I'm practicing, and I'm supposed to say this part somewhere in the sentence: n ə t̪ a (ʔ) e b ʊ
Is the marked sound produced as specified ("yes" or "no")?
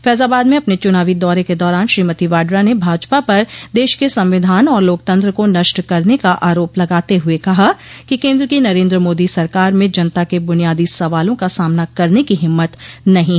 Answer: no